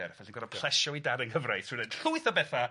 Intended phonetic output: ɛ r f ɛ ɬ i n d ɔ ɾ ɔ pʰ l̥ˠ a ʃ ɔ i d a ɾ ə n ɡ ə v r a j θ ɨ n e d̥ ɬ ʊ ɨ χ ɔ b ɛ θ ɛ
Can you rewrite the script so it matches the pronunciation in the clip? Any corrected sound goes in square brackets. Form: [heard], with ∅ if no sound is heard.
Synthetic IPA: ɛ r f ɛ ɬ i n [ɡ] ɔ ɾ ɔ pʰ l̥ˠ [ɛ] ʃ ɔ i d a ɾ ə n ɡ ə v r a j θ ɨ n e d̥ ɬ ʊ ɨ [θ] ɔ b ɛ θ [a]